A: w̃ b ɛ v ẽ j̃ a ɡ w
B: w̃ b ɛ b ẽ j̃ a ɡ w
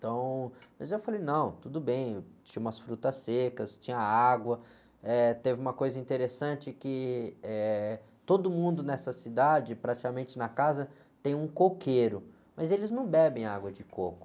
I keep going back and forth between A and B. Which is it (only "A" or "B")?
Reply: B